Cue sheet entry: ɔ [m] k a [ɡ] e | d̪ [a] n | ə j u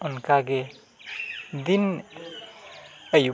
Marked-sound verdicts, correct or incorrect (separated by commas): incorrect, correct, incorrect